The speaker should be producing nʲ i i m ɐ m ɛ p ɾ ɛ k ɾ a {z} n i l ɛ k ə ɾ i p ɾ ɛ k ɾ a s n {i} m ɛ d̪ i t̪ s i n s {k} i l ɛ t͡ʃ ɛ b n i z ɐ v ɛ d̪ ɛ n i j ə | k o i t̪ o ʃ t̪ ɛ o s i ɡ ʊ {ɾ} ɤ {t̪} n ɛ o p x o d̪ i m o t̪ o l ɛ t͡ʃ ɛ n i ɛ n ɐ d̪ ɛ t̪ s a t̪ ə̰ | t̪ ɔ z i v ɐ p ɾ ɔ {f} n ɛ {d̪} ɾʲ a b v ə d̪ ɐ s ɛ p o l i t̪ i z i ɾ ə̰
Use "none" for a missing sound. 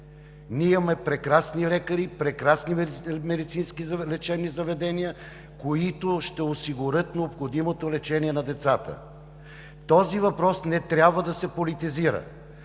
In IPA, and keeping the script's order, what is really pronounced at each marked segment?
s, i, k, ɾ, t̪, s, t̪

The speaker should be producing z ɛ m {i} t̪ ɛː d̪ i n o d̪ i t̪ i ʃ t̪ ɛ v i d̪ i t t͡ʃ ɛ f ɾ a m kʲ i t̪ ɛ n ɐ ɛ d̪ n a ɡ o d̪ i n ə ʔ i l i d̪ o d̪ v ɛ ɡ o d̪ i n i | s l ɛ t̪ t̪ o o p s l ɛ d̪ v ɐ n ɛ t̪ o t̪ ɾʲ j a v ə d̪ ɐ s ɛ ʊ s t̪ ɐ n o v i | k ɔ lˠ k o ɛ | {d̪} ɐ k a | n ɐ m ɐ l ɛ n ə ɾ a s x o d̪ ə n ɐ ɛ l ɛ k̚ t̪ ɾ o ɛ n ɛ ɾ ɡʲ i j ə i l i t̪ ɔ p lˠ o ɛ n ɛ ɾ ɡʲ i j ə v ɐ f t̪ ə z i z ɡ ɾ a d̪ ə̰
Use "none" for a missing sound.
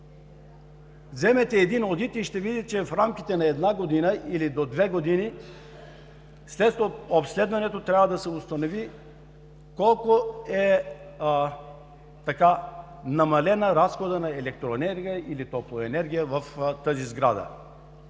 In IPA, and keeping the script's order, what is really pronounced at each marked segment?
ɛ, t̪

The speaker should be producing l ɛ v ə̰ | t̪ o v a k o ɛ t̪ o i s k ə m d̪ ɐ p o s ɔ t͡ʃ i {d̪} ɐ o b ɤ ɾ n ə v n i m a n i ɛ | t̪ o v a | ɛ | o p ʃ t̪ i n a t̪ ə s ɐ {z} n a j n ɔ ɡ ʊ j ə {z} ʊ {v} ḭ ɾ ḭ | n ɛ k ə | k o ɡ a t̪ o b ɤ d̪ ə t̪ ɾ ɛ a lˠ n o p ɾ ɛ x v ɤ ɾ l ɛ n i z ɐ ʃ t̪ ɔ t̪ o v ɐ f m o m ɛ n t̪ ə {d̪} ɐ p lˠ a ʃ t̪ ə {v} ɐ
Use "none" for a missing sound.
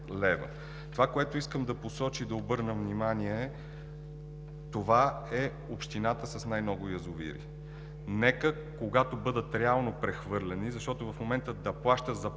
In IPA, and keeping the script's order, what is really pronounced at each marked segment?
d̪, s, z, v, d̪, z

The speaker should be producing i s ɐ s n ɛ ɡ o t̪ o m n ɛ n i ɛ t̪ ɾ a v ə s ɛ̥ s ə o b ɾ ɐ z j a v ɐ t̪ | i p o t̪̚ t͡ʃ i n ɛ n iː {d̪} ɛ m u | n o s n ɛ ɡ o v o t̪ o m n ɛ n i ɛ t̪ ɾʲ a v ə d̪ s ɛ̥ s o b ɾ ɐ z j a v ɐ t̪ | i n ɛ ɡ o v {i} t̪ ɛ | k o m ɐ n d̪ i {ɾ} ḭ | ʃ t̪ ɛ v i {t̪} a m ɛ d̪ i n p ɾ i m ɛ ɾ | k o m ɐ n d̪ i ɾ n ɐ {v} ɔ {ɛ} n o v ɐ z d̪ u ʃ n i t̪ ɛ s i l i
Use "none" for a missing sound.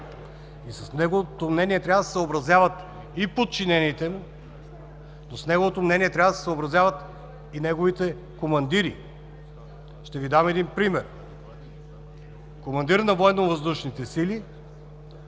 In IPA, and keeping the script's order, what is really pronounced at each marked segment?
t̪, i, ɾ, d̪, v, ɛ

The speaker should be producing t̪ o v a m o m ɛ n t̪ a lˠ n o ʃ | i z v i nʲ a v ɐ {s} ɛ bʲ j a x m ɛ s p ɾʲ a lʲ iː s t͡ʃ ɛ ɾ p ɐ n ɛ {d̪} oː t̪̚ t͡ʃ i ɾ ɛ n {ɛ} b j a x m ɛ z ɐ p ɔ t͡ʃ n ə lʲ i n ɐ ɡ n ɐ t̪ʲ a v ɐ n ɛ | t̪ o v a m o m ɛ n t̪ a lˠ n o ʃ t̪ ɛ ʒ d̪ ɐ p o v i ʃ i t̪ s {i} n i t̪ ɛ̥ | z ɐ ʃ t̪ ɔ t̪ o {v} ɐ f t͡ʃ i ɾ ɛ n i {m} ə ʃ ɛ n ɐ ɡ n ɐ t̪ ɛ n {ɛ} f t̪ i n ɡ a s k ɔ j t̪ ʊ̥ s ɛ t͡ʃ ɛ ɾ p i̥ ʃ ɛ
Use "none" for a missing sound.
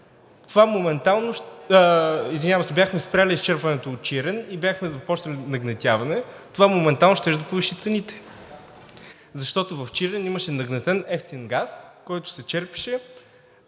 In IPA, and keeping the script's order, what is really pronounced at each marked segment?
s, t̪, i, ɛ, v, m, ɛ

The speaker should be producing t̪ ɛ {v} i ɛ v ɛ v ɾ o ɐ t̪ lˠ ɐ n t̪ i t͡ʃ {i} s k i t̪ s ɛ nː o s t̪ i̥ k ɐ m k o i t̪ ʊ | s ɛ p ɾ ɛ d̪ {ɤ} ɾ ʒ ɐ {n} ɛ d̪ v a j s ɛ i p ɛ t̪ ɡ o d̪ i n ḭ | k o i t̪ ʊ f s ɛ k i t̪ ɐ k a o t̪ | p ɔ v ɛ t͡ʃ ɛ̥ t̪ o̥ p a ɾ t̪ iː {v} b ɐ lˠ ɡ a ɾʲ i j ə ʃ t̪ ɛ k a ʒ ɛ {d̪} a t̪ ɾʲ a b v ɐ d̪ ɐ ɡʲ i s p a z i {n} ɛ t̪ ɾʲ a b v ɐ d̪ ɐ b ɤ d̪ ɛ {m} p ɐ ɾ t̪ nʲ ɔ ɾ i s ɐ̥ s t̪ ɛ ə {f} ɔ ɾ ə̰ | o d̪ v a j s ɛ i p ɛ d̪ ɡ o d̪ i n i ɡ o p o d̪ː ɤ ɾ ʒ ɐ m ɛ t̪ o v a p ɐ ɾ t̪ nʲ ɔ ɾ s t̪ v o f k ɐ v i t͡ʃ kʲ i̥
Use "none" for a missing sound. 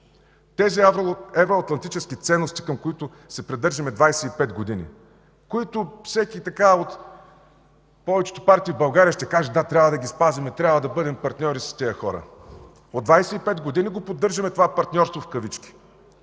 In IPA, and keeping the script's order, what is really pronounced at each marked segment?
z, ɛ, ɤ, m, v, d̪, m, m, x

